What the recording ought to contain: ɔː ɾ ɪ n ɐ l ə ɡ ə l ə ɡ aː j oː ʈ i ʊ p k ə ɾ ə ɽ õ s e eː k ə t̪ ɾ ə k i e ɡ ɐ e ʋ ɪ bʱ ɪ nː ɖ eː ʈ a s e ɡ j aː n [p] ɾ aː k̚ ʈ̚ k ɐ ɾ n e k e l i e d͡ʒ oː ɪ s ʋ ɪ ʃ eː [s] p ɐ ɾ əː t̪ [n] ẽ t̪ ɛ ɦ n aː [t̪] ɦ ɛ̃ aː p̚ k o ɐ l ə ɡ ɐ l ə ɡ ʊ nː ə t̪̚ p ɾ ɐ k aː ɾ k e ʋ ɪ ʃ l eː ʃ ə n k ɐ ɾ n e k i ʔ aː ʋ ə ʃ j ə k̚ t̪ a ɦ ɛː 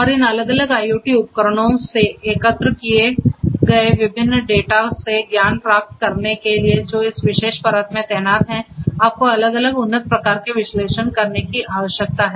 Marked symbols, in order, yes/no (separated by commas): yes, no, no, yes